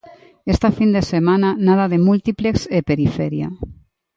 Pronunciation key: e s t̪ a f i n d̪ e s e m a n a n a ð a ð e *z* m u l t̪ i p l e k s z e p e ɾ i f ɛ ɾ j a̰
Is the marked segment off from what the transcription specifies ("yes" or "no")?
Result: yes